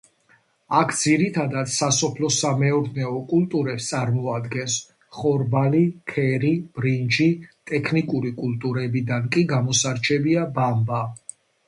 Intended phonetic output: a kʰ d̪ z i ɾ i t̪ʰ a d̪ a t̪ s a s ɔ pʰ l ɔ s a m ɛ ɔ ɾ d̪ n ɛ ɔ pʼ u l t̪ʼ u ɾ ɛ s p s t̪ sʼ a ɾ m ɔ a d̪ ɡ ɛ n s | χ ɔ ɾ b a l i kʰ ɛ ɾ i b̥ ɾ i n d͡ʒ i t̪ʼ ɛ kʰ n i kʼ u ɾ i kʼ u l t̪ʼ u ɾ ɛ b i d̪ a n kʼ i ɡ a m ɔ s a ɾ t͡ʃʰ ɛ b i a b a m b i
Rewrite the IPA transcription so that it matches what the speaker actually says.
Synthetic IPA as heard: a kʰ d̪ z i ɾ i t̪ʰ a d̪ a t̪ s a s ɔ pʰ l ɔ s a m ɛ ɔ ɾ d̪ n ɛ ɔ kʼ u l t̪ʼ u ɾ ɛ p s t̪ sʼ a ɾ m ɔ a d̪ ɡ ɛ n s | χ ɔ ɾ b a l i kʰ ɛ ɾ i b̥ ɾ i n d͡ʒ i t̪ʼ ɛ kʰ n i kʼ u ɾ i kʼ u l t̪ʼ u ɾ ɛ b i d̪ a n kʼ i ɡ a m ɔ s a ɾ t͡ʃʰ ɛ b i a b a m b a